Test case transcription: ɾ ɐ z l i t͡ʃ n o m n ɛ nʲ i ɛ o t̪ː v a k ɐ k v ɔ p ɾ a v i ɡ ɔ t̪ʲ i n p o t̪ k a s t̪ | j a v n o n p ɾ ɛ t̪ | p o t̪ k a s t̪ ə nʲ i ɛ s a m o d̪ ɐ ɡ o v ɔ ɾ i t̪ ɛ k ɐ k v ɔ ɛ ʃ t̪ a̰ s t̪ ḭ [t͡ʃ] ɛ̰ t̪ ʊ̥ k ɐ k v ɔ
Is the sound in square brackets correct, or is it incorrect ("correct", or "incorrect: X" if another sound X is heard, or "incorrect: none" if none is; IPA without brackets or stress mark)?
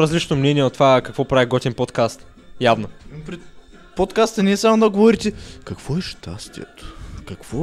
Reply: incorrect: none